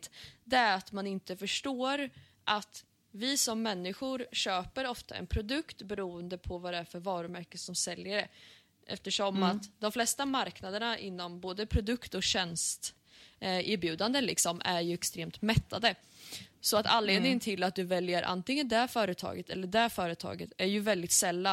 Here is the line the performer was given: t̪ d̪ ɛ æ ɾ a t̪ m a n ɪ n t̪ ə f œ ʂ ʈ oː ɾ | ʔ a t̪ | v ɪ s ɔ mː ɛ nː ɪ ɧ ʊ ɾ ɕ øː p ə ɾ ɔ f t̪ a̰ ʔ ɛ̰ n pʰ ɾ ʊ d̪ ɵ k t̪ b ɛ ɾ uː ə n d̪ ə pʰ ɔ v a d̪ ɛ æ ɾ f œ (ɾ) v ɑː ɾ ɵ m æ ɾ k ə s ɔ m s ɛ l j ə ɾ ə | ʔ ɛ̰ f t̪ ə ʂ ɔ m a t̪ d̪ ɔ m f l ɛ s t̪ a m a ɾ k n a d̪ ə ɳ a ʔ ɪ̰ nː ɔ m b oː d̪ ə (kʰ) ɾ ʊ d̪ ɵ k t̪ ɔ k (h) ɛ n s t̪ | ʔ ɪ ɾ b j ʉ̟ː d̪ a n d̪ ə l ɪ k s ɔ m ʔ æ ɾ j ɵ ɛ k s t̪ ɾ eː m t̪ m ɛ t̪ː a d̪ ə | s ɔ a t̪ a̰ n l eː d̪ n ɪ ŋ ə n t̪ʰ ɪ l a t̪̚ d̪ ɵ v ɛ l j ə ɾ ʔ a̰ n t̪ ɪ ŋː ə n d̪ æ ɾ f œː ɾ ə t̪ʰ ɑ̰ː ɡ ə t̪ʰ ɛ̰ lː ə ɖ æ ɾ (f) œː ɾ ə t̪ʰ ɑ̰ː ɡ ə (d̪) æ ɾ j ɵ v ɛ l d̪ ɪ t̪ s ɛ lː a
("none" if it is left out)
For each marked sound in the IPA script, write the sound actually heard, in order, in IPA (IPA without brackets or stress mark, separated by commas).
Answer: ɾ, pʰ, ɕ, f, t̪